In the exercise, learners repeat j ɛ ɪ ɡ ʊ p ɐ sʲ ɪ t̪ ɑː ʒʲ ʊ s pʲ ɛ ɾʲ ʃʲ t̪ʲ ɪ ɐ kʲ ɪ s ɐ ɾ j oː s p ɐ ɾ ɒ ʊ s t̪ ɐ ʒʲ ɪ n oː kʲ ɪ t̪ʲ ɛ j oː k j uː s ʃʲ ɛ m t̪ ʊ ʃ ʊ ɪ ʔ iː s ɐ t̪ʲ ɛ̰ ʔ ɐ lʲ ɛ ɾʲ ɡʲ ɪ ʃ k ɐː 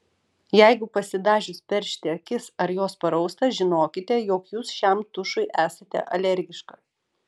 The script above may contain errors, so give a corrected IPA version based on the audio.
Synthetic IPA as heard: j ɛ ɪ ɡ ʊ p ɐ sʲ ɪ d̪ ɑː ʒʲ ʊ s pʲ ɛ ɾʲ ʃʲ t̪ʲ ɪ ɐ kʲ ɪ s ɐ ɾ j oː s p ɐ ɾ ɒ ʊ s t̪ ɐ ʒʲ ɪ n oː kʲ ɪ t̪ʲ ɛ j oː k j uː s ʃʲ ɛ m t̪ ʊ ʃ ʊ ɪ ʔ æː s ɐ t̪ʲ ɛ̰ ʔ ɐ lʲ ɛ ɾʲ ɡʲ ɪ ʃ k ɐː